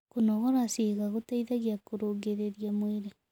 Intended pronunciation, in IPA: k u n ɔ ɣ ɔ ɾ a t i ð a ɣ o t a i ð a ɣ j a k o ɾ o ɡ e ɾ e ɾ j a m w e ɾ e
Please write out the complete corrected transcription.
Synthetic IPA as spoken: k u n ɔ ɣ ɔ ɾ a s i ɣ a ɣ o t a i ð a ɣ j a k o ɾ o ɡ e ɾ e ɾ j a m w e ɾ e